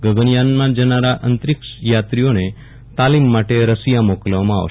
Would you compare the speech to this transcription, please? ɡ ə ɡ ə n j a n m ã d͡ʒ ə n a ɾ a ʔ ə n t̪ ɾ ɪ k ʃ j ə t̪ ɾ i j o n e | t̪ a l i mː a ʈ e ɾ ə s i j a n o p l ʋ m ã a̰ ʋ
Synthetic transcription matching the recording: ɡ ə ɡ ə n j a n m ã d͡ʒ ə n a ɾ a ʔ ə n t̪ ɾ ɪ k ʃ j a t̪ ɾ i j o n e | t̪ a l i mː a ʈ e ɾ ə s i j a m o k l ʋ m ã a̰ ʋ